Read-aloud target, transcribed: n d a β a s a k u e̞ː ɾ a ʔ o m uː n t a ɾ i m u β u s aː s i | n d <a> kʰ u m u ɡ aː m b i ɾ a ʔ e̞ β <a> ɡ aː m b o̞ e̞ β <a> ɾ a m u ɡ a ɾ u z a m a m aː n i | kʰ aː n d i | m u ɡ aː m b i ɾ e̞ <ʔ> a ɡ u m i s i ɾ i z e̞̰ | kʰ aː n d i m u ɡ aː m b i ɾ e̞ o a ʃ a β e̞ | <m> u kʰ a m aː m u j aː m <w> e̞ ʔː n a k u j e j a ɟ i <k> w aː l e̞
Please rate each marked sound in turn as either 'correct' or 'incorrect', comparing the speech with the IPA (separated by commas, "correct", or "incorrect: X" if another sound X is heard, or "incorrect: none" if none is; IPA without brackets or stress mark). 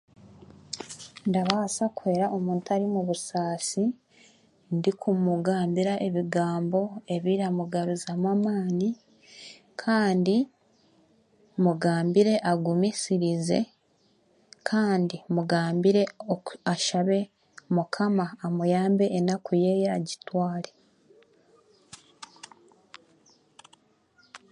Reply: incorrect: i, incorrect: i, incorrect: i, correct, correct, incorrect: b, incorrect: t